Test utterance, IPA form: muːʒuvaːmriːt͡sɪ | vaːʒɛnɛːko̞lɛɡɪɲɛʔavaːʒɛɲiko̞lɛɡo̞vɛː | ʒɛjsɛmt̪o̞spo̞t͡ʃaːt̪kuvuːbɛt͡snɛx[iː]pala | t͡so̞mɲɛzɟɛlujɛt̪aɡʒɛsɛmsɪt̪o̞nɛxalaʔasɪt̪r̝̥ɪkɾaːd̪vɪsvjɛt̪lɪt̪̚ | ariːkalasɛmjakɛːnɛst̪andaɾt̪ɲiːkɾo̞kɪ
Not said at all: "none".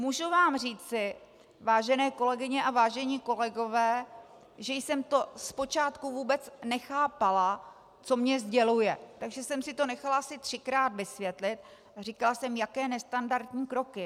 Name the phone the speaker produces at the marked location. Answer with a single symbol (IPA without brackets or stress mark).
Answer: aː